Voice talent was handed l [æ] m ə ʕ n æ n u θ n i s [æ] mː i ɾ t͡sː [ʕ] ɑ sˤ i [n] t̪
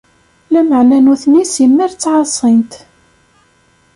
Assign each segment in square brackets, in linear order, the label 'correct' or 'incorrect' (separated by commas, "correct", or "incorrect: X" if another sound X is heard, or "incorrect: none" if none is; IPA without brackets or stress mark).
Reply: correct, incorrect: i, correct, correct